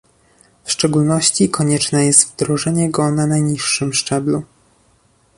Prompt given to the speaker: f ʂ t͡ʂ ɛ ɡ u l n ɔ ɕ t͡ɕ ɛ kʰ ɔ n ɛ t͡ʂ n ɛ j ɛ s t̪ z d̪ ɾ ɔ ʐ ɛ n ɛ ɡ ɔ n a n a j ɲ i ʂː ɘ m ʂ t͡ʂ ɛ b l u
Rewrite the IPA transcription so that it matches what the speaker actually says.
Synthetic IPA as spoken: f ʂ t͡ʂ ɛ ɡ u l n ɔ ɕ t͡ɕ i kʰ ɔ ɲ ɛ t͡ʂ n ɛ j ɛ s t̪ v d̪ ɾ ɔ ʐ ɛ ɲ ɛ ɡ ɔ n a n a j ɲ i ʂː ɘ m ʂ t͡ʂ ɛ b l u